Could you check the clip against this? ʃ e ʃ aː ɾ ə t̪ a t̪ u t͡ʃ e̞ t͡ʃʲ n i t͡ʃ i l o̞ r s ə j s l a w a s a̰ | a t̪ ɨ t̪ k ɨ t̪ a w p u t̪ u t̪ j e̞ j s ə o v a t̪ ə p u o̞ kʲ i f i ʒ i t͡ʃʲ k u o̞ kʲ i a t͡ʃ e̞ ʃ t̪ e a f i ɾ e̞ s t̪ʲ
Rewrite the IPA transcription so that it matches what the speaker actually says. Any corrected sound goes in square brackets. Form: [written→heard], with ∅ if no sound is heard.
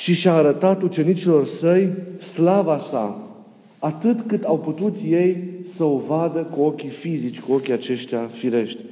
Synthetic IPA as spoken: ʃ [e→i] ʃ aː ɾ ə t̪ a t̪ u t͡ʃ e̞ [t͡ʃʲ→∅] n i t͡ʃ i l o̞ r s ə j s l a [w→v] a s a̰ | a t̪ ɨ t̪ k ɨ t̪ a w p u t̪ u t̪ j e̞ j s ə o v a [t̪→d̪] ə [p→k] u o̞ kʲ i f i [ʒ→z] i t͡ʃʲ k u o̞ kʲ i a t͡ʃ e̞ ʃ t̪ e a f i ɾ e̞ [s→ʃ] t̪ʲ